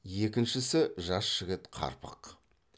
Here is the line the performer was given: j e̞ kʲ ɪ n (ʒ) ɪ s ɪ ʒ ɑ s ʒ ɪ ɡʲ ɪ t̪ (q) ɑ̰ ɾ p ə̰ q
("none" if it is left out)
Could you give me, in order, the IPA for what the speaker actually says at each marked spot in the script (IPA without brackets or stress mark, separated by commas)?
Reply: ʃ, qʰ